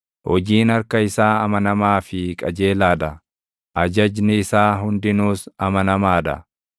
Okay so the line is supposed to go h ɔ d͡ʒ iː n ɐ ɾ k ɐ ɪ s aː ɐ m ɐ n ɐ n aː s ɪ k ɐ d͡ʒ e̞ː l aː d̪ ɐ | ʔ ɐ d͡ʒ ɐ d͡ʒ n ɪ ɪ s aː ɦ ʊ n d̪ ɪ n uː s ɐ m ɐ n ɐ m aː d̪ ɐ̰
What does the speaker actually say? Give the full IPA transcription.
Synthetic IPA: h ɔ d͡ʒ iː n ɐ ɾ k ɐ ɪ s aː ɐ m ɐ n ɐ m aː f ɪ kʼ ɐ d͡ʒ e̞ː l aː d̪ ɐ | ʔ ɐ d͡ʒ ɐ d͡ʒ n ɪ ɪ s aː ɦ ʊ n d̪ ɪ n uː s ɐ m ɐ n ɐ m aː d̪ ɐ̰

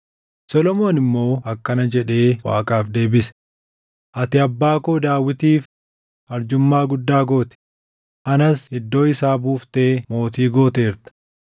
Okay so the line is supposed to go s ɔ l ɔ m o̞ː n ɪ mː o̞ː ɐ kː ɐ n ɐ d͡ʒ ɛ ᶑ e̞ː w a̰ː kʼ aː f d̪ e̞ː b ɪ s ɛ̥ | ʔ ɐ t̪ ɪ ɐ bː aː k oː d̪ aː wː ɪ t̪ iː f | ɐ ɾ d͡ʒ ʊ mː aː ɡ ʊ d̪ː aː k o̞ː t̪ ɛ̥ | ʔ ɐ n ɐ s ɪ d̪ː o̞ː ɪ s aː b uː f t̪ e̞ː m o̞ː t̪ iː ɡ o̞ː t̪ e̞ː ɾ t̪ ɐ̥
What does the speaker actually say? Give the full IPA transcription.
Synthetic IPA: s ɔ l ɔ m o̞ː n ɪ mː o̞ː ɐ kː ɐ n ɐ d͡ʒ ɛ ᶑ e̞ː w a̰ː kʼ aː f d̪ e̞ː b ɪ s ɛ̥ | ʔ ɐ t̪ ɪ ɐ bː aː k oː d̪ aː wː ɪ t̪ iː f | ɐ ɾ d͡ʒ ʊ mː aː ɡ ʊ d̪ː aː ɡ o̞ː t̪ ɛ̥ | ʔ ɐ n ɐ s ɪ d̪ː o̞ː ɪ s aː b uː f t̪ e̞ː m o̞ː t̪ iː ɡ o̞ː t̪ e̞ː ɾ t̪ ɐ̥

